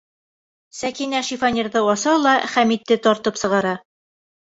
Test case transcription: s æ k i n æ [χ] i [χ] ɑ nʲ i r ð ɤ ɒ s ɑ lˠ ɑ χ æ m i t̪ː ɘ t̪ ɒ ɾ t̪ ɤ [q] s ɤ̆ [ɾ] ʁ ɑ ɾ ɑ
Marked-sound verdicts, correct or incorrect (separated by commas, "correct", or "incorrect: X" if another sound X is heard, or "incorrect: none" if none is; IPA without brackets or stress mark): incorrect: ʃ, incorrect: f, incorrect: p, incorrect: none